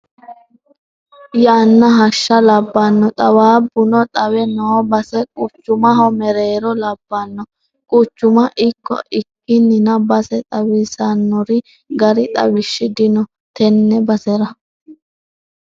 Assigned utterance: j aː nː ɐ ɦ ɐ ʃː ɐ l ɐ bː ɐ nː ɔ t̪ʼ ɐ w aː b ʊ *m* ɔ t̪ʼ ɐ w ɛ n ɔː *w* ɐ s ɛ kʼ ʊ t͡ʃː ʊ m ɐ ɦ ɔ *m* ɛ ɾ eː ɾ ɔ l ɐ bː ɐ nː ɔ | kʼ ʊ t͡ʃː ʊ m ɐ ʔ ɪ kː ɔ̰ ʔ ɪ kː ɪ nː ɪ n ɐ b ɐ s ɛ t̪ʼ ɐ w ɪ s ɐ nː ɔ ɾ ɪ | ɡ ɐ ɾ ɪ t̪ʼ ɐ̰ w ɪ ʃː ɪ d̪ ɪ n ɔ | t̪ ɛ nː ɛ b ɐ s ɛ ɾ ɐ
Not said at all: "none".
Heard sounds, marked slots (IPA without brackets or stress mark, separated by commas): n, b, m